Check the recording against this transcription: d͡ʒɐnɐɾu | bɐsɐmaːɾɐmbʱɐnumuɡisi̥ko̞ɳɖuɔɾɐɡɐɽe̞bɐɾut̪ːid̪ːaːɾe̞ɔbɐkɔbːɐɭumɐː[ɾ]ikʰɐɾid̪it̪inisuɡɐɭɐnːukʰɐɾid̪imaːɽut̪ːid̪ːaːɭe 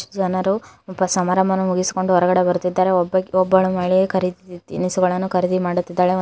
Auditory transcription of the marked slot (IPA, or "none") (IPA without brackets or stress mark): ɭ